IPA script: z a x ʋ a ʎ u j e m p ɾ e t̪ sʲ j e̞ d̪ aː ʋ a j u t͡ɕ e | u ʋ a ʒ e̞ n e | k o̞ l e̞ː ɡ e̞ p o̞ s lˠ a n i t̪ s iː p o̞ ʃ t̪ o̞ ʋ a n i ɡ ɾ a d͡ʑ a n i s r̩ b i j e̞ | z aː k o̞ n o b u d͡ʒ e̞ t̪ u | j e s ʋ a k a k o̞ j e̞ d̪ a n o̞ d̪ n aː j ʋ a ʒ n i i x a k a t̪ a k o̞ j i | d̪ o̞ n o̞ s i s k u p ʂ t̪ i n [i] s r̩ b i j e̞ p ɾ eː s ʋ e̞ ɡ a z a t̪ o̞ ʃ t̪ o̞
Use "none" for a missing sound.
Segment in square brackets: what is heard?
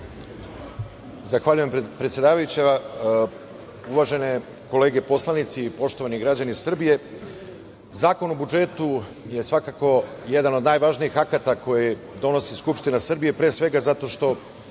a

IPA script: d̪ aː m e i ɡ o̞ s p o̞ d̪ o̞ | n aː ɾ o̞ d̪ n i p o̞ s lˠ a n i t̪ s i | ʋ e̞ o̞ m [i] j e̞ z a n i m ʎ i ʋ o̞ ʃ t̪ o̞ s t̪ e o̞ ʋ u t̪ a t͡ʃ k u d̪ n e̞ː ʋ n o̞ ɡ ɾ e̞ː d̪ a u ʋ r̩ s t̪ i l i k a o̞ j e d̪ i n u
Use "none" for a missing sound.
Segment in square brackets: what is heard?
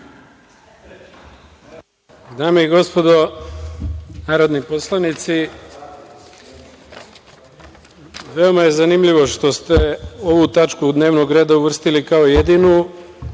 a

